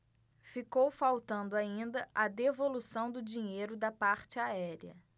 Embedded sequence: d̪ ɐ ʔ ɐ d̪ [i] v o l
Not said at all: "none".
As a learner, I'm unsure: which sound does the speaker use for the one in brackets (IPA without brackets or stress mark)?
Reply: e